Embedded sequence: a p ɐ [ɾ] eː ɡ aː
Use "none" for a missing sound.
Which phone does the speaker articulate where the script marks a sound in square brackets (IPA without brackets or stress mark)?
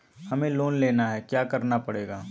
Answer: ɽ